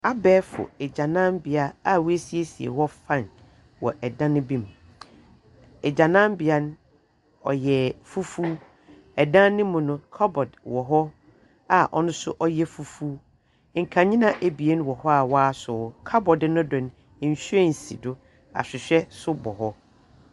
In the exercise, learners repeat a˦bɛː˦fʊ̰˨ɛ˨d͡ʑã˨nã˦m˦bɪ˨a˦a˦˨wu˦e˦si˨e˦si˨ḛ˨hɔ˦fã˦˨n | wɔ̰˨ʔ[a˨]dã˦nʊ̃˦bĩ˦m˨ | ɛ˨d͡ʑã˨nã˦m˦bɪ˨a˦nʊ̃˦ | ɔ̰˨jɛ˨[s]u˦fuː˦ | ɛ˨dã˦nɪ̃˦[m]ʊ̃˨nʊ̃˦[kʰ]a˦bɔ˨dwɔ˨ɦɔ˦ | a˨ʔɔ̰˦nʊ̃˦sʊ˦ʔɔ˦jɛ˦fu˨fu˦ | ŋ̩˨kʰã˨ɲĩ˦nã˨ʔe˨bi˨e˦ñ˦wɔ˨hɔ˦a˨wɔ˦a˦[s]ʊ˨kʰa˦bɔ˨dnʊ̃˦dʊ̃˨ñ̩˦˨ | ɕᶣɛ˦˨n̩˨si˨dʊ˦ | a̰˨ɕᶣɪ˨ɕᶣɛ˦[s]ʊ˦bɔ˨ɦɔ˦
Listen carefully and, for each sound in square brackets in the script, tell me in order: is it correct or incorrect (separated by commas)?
incorrect, incorrect, correct, correct, correct, correct